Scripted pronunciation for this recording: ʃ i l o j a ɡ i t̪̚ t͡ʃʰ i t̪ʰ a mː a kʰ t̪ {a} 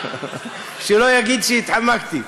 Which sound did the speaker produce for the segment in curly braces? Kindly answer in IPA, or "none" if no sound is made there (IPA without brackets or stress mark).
i